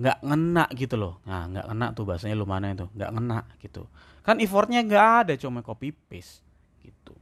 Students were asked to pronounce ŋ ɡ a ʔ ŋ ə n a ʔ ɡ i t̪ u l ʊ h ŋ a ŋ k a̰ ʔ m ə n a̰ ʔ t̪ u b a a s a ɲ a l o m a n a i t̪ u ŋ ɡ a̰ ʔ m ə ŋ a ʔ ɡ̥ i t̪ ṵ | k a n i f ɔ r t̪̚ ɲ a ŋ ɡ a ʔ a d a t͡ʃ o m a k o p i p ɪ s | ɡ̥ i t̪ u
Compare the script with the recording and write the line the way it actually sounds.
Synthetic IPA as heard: ŋ ɡ a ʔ ŋ ə n a ʔ ɡ i t̪ u l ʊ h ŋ a ŋ ɡ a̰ ʔ ŋ ə n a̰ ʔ t̪ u b a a s a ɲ a l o m a n a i t̪ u ŋ ɡ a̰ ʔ ŋ ə n a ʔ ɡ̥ i t̪ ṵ | k a n i f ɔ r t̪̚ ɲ a ŋ ɡ a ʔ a d a t͡ʃ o m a k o p i p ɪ s | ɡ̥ i t̪ u